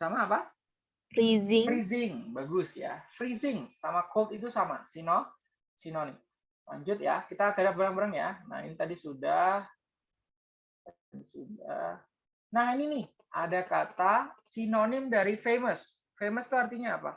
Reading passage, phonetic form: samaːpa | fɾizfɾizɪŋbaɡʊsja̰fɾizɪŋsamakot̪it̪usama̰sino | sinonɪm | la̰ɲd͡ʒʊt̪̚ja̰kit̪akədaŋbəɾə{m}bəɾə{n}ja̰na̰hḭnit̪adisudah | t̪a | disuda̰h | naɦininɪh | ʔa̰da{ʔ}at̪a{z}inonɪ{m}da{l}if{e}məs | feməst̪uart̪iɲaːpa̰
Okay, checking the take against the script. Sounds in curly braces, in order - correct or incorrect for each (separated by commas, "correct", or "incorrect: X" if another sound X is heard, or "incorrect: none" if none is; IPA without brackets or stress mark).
incorrect: ŋ, incorrect: ŋ, incorrect: k, incorrect: s, correct, incorrect: ɾ, correct